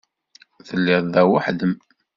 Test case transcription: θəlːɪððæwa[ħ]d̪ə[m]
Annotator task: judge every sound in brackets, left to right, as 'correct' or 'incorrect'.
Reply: correct, correct

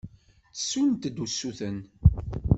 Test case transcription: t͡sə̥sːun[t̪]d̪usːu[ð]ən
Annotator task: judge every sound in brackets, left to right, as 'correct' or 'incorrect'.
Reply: correct, incorrect: θ

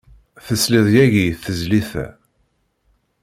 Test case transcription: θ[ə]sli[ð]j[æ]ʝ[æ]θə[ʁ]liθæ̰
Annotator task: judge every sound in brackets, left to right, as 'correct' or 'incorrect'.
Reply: correct, correct, correct, incorrect: i, incorrect: z

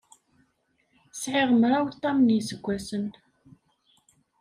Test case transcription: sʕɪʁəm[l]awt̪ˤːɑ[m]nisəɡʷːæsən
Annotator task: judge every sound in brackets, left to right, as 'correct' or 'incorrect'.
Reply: incorrect: ɾ, correct

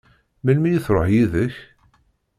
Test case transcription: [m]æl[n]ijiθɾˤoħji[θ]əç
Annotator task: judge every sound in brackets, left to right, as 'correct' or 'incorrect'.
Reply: correct, incorrect: m, incorrect: ð

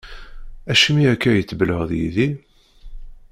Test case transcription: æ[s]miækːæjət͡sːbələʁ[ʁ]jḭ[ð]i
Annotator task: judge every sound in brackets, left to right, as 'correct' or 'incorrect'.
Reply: incorrect: ʃ, incorrect: ð, correct

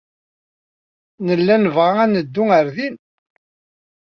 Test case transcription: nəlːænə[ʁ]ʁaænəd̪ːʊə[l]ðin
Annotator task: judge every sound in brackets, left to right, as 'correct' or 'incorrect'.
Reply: incorrect: v, incorrect: ɾ

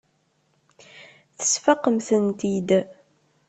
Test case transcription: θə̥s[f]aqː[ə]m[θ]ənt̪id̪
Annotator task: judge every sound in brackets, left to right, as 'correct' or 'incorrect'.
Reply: correct, correct, correct

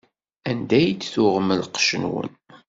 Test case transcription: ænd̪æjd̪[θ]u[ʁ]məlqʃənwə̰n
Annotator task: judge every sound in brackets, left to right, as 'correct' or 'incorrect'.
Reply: correct, correct

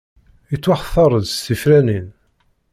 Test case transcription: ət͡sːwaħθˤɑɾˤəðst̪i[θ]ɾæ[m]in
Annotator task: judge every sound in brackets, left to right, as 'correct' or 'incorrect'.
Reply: incorrect: f, incorrect: n

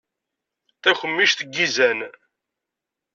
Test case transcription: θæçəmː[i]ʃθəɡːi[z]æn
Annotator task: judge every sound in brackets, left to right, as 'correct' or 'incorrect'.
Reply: correct, correct

